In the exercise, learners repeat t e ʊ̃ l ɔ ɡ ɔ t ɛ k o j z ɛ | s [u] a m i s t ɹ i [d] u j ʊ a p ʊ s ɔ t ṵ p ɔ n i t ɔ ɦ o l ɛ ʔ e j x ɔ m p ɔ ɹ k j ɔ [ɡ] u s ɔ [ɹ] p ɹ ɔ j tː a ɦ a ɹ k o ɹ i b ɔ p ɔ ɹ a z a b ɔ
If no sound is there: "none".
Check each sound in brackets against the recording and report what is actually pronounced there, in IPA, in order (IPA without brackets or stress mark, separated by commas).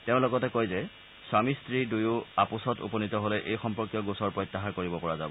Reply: w, d, ɡ, ɹ